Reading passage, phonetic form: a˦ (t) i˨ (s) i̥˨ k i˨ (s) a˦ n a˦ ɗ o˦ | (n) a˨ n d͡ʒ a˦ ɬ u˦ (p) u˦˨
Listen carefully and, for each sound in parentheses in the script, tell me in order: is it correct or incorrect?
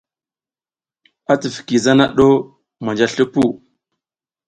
correct, incorrect, incorrect, incorrect, correct

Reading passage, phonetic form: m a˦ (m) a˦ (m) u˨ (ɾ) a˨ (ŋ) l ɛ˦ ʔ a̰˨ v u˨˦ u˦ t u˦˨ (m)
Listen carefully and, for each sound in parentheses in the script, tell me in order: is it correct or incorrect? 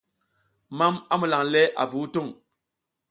correct, correct, incorrect, correct, incorrect

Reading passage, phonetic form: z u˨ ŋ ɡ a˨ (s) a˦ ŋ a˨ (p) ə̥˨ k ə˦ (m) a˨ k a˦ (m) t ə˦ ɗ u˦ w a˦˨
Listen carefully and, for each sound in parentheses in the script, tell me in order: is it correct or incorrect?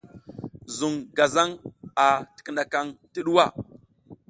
incorrect, incorrect, incorrect, incorrect

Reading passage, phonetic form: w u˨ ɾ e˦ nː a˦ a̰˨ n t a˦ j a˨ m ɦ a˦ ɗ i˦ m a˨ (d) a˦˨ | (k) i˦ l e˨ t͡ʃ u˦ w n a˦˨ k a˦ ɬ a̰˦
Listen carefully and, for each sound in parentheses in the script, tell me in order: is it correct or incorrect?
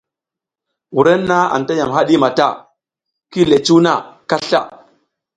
incorrect, correct

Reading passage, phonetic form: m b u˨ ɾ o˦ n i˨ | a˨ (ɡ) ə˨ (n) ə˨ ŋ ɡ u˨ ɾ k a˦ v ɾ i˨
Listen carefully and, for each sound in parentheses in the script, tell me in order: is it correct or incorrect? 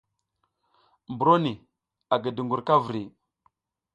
correct, incorrect

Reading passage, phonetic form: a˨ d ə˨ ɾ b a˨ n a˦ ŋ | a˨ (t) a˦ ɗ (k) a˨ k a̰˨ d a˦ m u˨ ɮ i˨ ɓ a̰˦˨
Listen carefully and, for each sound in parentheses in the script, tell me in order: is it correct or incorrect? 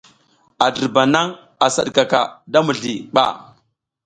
incorrect, correct

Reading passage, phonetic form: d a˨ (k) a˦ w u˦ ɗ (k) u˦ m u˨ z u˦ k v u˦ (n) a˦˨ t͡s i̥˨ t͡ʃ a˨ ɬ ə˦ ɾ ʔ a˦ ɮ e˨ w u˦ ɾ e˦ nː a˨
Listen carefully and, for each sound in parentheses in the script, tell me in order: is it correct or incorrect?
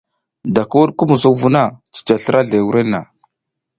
correct, correct, correct

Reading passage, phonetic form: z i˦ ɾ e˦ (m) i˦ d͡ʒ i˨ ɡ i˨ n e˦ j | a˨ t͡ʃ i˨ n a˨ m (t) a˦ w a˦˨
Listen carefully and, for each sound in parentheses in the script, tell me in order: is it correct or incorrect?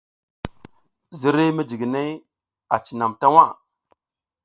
correct, correct

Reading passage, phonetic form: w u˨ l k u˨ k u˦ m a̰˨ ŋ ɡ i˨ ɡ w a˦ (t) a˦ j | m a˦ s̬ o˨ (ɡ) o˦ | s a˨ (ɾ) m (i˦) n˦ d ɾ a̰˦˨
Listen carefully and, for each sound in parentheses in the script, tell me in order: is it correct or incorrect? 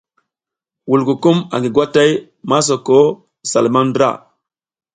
correct, incorrect, incorrect, incorrect

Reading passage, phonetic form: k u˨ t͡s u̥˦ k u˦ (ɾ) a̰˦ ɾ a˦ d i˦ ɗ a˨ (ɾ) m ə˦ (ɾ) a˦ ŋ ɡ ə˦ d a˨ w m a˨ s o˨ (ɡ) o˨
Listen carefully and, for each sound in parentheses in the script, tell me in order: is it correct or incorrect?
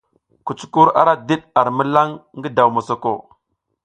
correct, correct, incorrect, incorrect

